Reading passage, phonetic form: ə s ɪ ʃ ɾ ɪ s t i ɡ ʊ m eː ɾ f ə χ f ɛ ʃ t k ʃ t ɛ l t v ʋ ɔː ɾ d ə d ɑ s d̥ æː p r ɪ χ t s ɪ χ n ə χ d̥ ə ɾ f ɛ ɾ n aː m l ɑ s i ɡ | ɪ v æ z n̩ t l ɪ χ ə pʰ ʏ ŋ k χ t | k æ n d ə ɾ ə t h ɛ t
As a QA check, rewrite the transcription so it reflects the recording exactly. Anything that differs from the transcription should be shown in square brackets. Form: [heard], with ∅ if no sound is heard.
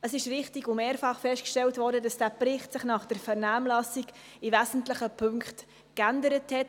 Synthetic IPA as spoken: ə s ɪ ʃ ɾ ɪ [χ] t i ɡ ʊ m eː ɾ f [ɑ] χ f ɛ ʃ t k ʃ t ɛ l t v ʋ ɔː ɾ d ə d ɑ s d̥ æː p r ɪ χ t s ɪ χ n [ɑ] χ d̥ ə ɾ f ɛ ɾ n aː m l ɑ s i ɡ | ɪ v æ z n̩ t l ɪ χ ə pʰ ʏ ŋ k χ t | k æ n d ə ɾ ə t h ɛ t